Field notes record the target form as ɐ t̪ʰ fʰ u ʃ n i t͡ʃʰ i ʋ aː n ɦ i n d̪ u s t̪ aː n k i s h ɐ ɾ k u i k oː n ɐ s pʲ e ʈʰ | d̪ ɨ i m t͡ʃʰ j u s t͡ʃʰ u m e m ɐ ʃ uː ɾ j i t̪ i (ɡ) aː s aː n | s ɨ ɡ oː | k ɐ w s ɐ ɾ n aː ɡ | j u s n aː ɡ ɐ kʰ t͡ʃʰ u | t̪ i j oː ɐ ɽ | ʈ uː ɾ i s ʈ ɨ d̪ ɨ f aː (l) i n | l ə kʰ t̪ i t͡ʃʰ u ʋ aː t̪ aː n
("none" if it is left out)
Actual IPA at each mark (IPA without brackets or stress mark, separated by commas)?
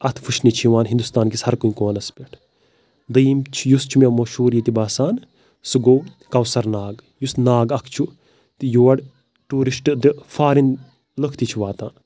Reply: b, ɾ